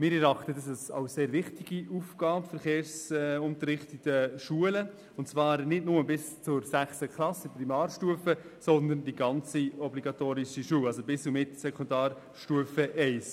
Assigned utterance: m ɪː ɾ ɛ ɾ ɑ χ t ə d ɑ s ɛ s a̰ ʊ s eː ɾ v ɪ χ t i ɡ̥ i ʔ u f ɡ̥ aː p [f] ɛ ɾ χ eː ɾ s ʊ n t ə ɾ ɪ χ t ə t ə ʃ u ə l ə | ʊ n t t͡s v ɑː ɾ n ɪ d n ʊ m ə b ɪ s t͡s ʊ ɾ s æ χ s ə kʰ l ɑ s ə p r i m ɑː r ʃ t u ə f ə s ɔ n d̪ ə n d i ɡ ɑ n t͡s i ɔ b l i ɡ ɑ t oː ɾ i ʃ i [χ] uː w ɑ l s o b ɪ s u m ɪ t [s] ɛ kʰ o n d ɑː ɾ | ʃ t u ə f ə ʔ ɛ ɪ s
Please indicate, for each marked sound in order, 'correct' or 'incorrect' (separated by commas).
correct, incorrect, correct